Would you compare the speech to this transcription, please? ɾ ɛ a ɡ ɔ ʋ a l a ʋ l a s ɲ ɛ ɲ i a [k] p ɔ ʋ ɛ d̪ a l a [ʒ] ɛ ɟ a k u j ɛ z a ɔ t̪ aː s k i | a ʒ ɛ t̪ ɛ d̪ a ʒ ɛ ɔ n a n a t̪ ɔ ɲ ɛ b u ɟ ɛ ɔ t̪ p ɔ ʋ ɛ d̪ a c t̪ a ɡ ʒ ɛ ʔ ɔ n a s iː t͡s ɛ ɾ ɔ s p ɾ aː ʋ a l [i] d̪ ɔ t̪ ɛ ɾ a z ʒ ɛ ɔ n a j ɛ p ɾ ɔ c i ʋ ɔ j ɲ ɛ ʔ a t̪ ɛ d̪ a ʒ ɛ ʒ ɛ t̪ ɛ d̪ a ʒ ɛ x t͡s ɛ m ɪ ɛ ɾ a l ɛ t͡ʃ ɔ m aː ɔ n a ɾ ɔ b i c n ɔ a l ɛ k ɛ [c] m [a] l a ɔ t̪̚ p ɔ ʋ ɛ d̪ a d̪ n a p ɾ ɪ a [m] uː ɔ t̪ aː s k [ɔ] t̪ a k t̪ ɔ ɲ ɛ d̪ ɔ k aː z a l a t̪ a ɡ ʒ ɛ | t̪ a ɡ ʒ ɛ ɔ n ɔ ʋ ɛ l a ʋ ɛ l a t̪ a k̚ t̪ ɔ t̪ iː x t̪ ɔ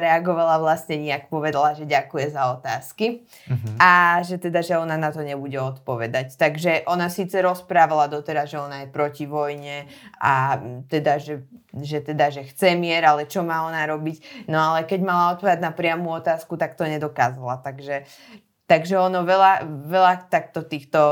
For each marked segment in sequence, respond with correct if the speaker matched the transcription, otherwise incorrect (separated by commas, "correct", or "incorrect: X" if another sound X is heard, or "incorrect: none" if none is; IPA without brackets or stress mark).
correct, correct, incorrect: a, incorrect: ɟ, correct, correct, incorrect: u